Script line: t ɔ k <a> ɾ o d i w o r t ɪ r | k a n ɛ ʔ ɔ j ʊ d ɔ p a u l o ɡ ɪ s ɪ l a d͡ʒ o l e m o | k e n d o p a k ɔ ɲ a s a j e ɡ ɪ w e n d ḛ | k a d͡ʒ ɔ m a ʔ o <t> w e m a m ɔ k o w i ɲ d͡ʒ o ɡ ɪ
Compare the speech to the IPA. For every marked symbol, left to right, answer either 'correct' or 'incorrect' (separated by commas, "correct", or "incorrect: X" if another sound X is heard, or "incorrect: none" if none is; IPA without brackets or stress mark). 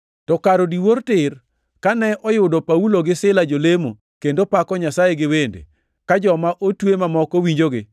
correct, correct